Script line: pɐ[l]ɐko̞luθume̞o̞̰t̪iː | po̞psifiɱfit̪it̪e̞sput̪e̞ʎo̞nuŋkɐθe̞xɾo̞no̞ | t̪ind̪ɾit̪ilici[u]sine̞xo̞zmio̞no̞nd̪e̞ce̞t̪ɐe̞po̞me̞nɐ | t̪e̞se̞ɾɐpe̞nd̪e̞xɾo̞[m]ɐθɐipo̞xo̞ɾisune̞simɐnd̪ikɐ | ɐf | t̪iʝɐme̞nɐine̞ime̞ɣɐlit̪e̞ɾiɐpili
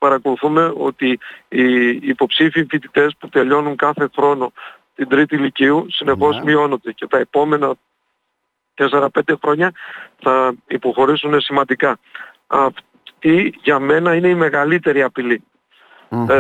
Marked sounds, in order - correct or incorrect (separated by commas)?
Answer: incorrect, correct, incorrect